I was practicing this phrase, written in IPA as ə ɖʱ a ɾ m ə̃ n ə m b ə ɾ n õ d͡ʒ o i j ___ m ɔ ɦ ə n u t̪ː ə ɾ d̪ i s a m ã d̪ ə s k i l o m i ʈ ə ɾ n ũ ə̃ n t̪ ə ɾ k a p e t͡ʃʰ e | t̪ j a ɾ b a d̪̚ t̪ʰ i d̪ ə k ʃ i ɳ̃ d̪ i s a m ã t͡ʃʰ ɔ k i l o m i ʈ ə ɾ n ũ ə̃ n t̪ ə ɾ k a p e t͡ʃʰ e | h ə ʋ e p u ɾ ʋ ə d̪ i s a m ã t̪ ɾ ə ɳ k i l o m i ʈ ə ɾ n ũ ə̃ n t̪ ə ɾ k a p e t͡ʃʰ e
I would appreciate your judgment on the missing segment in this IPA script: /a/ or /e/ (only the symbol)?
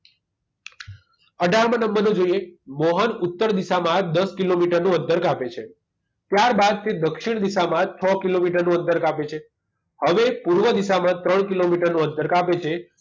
e